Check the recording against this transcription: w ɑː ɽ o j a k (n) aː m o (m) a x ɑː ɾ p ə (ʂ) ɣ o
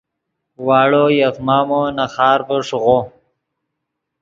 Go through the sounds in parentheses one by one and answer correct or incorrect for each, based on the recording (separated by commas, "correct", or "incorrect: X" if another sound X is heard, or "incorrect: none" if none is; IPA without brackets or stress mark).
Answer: incorrect: m, incorrect: n, correct